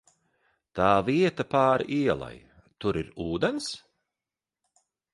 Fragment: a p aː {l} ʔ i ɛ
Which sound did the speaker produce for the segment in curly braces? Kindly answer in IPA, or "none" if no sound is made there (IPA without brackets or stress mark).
ɾ